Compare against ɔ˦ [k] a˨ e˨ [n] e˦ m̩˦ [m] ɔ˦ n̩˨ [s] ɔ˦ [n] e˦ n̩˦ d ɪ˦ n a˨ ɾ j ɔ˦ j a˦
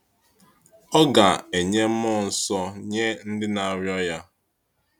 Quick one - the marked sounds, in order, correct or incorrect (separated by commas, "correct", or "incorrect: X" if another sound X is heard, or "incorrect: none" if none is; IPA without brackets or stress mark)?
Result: incorrect: ɡ, incorrect: ɲ, correct, correct, incorrect: ɲ